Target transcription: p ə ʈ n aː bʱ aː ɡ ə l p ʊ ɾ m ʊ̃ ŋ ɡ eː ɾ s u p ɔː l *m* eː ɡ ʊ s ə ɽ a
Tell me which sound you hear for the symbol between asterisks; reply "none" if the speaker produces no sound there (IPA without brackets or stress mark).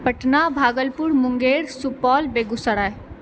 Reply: b